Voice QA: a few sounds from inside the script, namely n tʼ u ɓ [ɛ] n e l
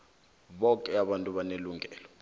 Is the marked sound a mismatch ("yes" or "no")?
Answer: yes